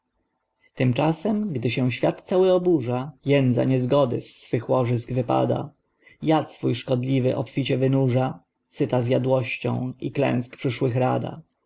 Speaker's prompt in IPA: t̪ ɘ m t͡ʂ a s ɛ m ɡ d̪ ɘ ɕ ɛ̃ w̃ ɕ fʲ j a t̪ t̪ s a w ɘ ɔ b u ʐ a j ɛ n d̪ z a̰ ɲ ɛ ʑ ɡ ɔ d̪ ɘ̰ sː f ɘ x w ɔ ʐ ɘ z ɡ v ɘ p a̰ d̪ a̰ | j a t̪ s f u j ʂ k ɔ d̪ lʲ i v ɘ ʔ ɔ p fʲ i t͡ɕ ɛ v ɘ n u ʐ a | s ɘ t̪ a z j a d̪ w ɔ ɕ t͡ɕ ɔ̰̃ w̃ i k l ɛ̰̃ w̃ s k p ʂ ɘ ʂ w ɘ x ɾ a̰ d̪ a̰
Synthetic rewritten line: t̪ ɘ m t͡ʂ a s ɛ m ɡ d̪ ɘ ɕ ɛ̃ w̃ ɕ fʲ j a t̪ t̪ s a w ɘ ɔ b u ʐ a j ɛ n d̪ z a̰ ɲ ɛ z ɡ ɔ d̪ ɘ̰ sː f ɘ x w ɔ ʐ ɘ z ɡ v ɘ p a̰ d̪ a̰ | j a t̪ s f u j ʂ k ɔ d̪ lʲ i v ɘ ʔ ɔ p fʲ i t͡ɕ ɛ v ɘ n u ʐ a | s ɘ t̪ a z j a d̪ w ɔ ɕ t͡ɕ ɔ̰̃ w̃ i k l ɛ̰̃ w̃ s k p ʂ ɘ ʂ w ɘ x ɾ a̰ d̪ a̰